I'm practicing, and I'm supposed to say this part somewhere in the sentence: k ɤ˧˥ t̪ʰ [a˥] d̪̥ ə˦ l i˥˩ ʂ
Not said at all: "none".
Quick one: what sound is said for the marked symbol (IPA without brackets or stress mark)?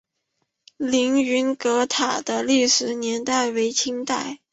a˨˩